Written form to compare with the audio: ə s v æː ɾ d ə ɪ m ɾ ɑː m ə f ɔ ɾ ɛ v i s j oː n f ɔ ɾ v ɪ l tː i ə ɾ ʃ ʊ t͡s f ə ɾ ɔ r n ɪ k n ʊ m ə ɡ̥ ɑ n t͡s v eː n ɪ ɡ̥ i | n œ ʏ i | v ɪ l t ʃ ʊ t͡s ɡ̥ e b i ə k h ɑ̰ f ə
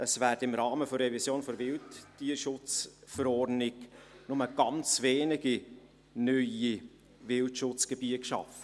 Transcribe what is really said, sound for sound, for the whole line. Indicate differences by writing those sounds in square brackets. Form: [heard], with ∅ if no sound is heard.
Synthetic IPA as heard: ə s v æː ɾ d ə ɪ m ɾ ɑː m ə f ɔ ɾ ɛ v i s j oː n f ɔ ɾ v ɪ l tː i ə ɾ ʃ ʊ t͡s f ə ɾ ɔ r n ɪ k n ʊ m ə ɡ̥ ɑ n t͡s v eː n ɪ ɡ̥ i | n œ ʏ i | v ɪ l t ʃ ʊ t͡s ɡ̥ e b i ə k [ʃ] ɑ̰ f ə